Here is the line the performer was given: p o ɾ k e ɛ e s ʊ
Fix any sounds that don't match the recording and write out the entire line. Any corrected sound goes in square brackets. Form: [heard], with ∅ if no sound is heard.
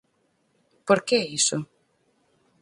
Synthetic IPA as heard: p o ɾ k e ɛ [i] s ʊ